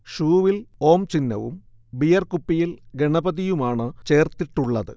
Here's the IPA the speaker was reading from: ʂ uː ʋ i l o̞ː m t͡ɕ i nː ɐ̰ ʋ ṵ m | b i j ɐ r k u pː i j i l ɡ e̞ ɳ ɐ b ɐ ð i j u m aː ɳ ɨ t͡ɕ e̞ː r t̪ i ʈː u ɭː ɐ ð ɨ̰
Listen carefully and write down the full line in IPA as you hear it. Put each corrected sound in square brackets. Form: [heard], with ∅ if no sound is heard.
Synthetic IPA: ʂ uː ʋ i l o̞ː m t͡ɕ i nː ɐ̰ ʋ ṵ m | b i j ɐ r k u pː i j i l ɡ e̞ ɳ ɐ b ɐ ð i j u m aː ɳ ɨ t͡ɕ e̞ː r t̪ i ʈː u ɭː ɐ ð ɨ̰